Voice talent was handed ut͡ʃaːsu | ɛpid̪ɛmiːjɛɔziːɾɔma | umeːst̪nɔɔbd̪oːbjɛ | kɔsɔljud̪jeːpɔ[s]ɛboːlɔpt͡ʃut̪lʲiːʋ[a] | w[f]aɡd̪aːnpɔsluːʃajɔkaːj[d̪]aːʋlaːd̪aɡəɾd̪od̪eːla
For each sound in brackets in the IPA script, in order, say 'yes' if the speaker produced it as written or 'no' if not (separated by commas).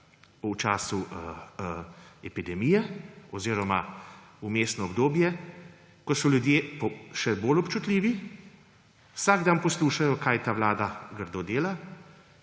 no, no, no, no